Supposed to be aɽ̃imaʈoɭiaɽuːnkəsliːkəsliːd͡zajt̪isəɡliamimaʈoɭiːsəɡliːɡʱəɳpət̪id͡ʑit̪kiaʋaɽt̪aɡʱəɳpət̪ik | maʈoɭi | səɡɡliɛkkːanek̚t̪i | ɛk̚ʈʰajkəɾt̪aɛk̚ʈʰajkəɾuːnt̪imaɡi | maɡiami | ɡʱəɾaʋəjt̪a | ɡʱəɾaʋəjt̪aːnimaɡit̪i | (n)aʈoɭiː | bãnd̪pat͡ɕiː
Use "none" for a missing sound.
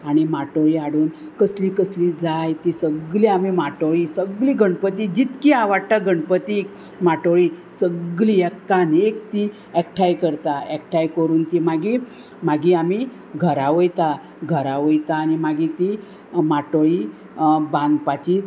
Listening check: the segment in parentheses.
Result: m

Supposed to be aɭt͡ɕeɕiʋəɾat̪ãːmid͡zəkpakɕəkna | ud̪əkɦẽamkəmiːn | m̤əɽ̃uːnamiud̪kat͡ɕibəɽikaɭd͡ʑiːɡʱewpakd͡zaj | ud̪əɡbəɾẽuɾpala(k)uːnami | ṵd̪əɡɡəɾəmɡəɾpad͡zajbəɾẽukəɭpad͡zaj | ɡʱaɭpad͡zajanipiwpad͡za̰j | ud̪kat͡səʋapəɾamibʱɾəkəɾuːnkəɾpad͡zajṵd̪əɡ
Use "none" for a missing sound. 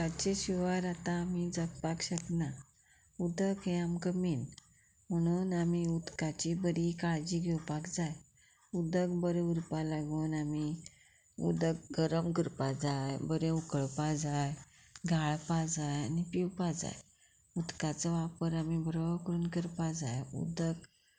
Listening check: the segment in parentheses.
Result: ɡ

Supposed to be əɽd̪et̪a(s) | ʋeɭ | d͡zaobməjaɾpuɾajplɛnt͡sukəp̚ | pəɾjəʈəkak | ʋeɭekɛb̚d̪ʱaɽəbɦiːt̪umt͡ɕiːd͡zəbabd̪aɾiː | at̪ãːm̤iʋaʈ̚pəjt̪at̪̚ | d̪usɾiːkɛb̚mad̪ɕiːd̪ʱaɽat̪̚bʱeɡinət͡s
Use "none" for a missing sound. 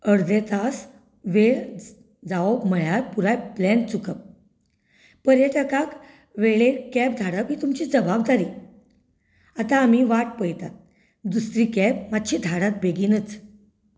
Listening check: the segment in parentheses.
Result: s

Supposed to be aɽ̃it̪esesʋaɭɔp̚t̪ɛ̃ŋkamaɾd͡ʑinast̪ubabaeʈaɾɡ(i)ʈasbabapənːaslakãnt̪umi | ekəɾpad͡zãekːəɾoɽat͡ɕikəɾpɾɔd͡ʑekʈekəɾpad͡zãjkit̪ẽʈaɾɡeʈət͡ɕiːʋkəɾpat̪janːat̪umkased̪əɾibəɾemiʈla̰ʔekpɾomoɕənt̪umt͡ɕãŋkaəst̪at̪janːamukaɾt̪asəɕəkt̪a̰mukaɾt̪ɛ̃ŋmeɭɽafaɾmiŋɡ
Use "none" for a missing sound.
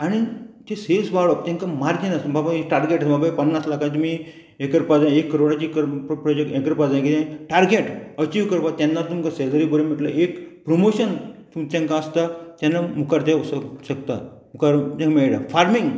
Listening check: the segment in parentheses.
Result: e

